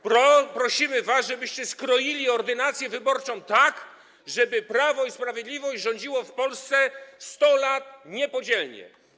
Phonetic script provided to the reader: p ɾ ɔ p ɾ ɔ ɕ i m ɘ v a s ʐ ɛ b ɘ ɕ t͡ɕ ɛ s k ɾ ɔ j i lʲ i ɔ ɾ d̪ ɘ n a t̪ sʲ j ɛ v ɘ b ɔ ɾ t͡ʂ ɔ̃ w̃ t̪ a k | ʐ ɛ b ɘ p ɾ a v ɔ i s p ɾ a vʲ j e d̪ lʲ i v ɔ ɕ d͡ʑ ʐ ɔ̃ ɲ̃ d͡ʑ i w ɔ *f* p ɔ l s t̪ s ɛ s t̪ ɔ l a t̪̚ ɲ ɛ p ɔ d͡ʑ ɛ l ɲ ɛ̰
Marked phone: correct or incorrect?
correct